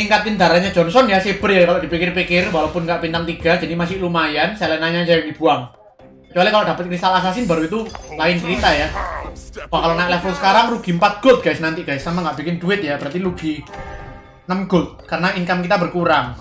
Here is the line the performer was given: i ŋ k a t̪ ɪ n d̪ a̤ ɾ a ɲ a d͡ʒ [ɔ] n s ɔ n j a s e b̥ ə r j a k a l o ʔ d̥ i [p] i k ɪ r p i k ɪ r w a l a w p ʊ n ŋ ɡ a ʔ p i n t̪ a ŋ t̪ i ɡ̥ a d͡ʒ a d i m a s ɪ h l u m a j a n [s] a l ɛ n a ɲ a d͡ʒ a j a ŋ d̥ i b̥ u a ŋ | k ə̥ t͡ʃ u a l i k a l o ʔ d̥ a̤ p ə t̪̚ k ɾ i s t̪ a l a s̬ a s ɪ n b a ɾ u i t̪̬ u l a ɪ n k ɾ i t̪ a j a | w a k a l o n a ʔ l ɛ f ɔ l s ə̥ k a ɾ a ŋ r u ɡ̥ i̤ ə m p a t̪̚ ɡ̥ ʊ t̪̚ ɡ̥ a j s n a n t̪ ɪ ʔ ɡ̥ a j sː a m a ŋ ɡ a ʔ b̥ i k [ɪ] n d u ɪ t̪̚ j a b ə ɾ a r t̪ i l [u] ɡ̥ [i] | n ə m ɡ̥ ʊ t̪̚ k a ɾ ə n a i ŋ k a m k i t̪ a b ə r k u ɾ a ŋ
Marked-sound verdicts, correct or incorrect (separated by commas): correct, correct, correct, correct, correct, correct